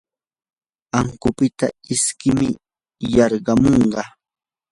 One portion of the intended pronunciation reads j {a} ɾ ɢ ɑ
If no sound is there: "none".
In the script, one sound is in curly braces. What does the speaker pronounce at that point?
ɑ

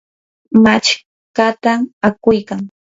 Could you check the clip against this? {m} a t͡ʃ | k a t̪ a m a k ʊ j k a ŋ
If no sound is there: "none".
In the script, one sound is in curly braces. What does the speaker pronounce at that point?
m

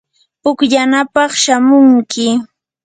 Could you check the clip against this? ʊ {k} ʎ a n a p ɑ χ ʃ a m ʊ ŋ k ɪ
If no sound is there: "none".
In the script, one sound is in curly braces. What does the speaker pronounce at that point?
k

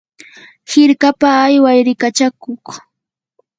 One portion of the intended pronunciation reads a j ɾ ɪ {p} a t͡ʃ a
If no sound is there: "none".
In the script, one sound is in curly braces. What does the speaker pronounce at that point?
k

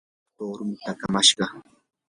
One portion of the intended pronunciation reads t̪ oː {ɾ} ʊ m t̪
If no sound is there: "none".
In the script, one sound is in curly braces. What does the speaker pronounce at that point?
ɾ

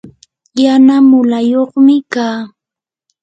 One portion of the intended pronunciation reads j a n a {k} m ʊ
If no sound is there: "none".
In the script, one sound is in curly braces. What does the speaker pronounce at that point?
none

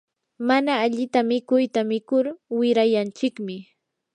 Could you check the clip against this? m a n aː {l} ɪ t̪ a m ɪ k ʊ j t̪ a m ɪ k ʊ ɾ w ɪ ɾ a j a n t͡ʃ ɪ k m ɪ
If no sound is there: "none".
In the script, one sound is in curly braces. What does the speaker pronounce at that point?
ʎ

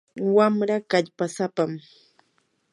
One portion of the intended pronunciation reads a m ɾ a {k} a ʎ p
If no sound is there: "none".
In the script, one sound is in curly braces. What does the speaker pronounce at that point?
k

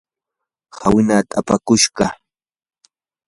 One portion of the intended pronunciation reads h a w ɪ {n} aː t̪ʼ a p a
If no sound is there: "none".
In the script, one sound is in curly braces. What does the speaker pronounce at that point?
n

